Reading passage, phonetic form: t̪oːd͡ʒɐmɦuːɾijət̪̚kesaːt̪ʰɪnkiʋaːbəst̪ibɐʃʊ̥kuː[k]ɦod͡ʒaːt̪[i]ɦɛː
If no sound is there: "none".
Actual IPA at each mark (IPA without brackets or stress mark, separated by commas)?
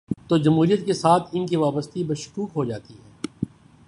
k, i